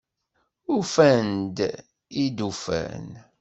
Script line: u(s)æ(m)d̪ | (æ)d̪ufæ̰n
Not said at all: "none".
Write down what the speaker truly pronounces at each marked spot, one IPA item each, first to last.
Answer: f, n, i

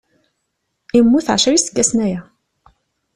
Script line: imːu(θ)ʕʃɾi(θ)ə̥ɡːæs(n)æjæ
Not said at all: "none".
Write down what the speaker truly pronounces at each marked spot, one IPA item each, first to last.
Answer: θ, s, n

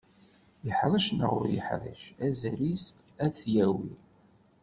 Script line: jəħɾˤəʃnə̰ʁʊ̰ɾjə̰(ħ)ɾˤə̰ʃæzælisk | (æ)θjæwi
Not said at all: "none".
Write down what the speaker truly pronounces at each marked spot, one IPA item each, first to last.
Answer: ħ, æ

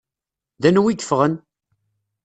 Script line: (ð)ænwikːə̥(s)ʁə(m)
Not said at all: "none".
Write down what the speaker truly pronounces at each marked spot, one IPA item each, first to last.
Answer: ð, f, n

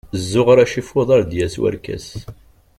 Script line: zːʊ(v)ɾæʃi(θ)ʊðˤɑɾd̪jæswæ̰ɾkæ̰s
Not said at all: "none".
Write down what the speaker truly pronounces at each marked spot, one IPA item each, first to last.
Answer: ʁ, f

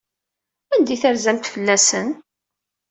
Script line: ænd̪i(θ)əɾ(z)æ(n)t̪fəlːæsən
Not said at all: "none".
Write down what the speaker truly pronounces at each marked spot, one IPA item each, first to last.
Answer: θ, z, m

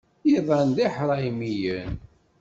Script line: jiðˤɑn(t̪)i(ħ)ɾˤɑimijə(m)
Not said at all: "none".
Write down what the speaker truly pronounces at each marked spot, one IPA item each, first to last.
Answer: d̪, ħ, n

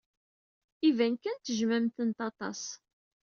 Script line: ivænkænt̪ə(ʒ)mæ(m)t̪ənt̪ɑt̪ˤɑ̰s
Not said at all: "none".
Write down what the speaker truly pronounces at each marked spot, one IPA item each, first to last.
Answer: ʒ, m

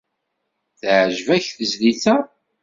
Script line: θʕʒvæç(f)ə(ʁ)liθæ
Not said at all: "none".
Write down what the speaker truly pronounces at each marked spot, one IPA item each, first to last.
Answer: θ, z

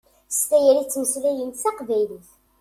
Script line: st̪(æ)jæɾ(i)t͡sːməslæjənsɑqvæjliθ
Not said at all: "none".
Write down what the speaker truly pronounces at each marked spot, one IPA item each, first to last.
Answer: æ, i

